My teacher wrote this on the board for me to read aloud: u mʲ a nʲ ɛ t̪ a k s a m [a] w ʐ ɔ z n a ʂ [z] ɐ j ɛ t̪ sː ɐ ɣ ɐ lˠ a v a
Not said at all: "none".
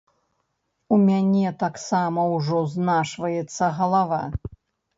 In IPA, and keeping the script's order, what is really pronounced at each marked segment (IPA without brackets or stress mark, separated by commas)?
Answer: ɐ, v